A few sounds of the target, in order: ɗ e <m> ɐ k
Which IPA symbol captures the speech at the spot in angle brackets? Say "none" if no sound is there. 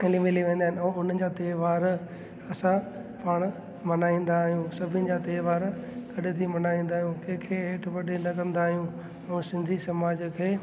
n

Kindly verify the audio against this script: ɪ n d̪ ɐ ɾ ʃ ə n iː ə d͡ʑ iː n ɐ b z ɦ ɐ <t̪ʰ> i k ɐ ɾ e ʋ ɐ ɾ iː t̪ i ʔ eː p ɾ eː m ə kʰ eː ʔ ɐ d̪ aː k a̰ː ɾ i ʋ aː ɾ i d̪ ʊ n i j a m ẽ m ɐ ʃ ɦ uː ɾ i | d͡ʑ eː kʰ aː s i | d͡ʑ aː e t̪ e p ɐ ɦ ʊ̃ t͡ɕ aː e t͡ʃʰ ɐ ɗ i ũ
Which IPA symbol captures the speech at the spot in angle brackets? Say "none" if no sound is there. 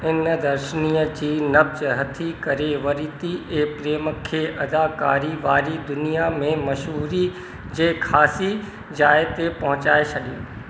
t̪ʰ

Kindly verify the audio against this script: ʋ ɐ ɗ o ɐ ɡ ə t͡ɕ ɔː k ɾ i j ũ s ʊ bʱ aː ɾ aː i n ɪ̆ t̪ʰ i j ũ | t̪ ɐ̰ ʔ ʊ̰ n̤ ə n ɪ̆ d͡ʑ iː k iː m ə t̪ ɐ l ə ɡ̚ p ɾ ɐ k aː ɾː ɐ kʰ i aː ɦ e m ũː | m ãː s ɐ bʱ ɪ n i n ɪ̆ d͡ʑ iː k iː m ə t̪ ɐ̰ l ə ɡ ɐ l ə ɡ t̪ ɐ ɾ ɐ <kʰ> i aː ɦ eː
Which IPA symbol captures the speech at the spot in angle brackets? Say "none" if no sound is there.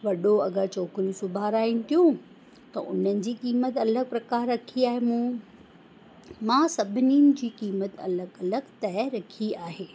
kʰ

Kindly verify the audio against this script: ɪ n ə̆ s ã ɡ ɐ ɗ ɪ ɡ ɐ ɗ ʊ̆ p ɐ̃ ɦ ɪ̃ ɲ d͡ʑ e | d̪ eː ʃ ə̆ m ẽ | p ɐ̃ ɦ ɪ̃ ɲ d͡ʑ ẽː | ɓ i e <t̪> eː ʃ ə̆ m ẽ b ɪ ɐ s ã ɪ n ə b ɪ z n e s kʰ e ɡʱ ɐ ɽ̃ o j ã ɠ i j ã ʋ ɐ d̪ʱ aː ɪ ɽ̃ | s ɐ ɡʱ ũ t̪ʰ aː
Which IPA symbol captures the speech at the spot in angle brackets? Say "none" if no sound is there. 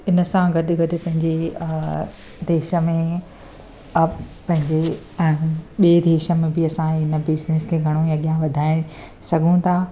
d̪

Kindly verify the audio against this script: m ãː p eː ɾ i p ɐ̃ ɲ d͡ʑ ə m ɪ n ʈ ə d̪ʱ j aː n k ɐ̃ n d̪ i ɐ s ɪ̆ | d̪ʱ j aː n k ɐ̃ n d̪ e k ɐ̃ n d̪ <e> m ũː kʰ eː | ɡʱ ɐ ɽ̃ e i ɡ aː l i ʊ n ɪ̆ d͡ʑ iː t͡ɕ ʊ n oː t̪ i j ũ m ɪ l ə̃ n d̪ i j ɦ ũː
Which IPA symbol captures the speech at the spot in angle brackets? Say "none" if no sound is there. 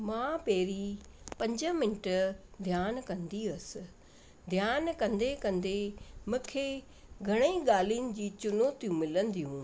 e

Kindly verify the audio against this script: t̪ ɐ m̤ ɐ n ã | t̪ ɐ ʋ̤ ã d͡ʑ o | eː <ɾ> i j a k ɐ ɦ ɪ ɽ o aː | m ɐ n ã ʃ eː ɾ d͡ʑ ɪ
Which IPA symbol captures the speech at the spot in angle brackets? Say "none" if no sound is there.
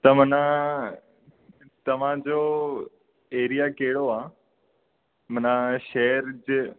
ɾ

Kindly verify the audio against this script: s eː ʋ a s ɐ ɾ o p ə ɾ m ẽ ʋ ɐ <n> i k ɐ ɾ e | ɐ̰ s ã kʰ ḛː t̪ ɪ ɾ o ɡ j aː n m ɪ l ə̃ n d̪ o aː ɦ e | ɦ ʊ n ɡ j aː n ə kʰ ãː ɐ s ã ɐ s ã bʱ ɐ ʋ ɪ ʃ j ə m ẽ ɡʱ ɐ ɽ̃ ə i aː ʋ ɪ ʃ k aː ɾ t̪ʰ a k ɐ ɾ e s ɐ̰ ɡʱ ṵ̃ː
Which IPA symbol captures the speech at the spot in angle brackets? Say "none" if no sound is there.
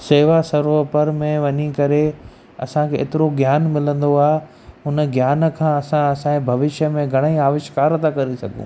ɲ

